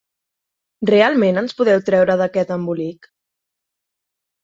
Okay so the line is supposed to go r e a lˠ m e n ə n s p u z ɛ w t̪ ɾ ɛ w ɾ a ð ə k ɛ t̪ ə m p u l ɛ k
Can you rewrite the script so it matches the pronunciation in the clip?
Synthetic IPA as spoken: r e a lˠ m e n ə n s p u ð ɛ w t̪ ɾ ɛ w ɾ ə ð ə k ɛ t̪ ə m b u l i k

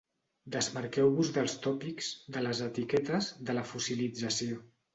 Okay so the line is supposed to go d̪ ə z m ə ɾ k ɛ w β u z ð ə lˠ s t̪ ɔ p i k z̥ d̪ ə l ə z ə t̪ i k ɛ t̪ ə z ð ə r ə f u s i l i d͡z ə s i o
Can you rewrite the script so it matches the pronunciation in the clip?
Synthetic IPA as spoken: d̪ ə z m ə ɾ k ɛ w β u z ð ə lˠ s t̪ ɔ p i k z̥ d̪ ə l ə z ə t̪ i k ɛ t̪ ə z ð ə l ə f u s i l i d͡z ə s i o

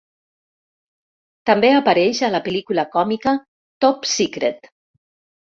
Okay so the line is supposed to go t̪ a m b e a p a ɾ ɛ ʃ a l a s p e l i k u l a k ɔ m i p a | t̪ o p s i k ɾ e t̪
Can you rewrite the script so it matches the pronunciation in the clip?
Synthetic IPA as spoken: t̪ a m b e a p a ɾ ɛ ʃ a l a p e l i k u l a k ɔ m i k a | t̪ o p s i k ɾ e t̪

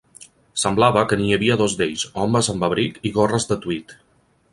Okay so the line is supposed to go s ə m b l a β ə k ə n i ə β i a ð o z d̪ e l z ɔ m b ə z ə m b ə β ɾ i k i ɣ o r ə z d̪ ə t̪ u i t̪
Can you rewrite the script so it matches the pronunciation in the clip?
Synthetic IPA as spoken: s ə m b l a β ə k ə n i ə β i ə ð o z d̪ e ʎ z ɔ m b ə z ə m b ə β ɾ i k i ɣ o r ə z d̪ ə t̪ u i t̪

